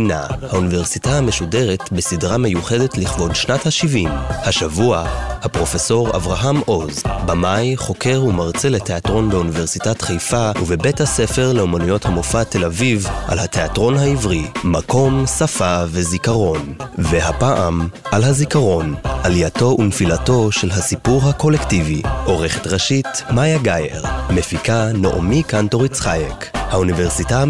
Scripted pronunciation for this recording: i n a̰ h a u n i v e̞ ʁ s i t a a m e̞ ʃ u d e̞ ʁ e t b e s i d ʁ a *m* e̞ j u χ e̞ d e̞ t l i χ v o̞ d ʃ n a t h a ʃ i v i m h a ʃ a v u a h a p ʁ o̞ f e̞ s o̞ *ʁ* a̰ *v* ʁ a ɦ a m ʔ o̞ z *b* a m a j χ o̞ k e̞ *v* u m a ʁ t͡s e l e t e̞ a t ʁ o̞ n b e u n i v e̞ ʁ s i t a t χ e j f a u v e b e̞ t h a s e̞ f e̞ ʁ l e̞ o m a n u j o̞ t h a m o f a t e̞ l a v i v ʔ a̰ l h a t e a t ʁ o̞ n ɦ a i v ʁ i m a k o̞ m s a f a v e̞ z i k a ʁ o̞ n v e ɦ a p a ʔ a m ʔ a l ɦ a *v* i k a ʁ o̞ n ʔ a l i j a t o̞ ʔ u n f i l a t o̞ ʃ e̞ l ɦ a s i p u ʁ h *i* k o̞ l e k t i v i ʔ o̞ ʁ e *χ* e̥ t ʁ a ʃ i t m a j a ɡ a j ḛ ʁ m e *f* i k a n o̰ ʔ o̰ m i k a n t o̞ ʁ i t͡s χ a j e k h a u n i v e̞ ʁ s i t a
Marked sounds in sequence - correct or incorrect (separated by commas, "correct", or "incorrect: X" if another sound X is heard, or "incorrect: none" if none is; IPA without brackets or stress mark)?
correct, correct, correct, correct, incorrect: ʁ, incorrect: z, incorrect: a, correct, correct